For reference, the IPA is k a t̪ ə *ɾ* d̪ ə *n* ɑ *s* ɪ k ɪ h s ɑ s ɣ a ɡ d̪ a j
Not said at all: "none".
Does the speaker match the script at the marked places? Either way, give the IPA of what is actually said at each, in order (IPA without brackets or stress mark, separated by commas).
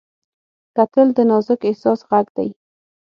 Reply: l, n, z